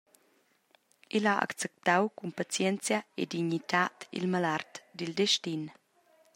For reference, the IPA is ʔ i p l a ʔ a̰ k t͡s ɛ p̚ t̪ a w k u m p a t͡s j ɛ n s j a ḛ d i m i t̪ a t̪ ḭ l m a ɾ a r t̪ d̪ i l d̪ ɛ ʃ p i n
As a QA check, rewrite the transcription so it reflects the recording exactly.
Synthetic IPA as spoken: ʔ i l a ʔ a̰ k t͡s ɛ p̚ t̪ a w k u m p a t͡s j ɛ n t͡s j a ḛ d i ɲ i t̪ a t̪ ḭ l m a l a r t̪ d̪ i l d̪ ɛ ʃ t i n